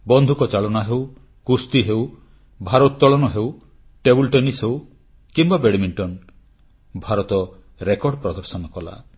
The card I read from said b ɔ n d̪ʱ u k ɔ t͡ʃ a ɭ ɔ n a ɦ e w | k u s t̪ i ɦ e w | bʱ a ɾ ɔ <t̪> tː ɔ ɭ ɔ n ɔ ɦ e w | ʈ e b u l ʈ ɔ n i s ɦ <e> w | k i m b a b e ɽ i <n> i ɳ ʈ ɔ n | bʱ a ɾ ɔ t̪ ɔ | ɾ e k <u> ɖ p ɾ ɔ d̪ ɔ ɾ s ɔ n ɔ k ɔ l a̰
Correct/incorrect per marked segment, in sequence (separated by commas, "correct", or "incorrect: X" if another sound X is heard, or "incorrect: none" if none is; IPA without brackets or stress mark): correct, correct, incorrect: m, incorrect: ɔ